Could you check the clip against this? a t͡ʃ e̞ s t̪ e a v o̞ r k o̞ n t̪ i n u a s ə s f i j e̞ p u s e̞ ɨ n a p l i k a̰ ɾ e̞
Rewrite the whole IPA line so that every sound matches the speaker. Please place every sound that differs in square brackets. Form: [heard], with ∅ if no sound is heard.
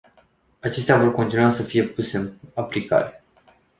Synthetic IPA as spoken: a t͡ʃ e̞ s t̪ e a v o̞ r k o̞ n t̪ i n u a s ə [∅] f i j e̞ p u s e̞ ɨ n a p l i k a̰ ɾ e̞